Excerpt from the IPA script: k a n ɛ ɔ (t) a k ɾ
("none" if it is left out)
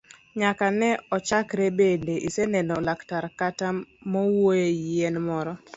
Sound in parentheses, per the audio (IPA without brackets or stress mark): t͡ʃ